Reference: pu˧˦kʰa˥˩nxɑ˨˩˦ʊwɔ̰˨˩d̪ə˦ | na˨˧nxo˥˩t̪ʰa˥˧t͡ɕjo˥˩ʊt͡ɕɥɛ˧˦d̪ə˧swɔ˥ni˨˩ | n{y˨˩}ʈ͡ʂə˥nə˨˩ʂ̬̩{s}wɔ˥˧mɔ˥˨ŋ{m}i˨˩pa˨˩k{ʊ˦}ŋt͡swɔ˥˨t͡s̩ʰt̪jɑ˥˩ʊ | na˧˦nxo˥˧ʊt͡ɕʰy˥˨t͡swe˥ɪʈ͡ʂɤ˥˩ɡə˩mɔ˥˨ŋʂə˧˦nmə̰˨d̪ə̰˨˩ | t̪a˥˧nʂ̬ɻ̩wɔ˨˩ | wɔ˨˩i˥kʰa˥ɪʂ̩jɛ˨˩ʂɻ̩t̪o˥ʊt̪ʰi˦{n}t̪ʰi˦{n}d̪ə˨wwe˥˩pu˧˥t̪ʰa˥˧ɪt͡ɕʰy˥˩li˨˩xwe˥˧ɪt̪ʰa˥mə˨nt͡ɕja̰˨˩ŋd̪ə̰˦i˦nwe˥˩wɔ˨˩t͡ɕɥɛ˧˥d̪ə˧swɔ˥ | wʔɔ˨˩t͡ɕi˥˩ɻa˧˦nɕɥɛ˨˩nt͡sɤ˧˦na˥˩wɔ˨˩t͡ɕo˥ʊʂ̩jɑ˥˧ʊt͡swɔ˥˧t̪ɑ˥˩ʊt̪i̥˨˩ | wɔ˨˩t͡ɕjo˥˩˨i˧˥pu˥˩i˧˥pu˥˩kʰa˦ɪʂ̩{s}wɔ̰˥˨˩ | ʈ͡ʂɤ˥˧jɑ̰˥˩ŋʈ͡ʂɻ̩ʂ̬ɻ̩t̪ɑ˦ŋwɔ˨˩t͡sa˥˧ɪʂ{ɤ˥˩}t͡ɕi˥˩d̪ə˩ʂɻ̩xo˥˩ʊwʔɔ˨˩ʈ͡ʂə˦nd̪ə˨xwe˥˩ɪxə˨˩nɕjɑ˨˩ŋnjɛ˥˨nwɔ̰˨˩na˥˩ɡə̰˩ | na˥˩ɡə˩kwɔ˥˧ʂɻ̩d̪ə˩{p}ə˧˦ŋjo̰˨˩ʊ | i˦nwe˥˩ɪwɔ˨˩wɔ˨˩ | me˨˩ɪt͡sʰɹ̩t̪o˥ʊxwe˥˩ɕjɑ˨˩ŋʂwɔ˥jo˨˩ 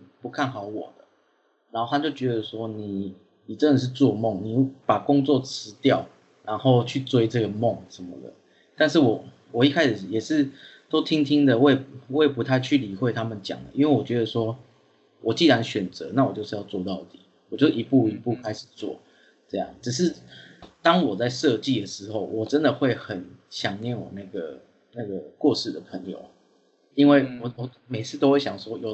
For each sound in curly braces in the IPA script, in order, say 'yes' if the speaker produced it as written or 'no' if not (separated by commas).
no, no, no, yes, no, no, no, no, no